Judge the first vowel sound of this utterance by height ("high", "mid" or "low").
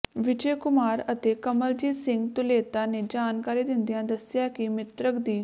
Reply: high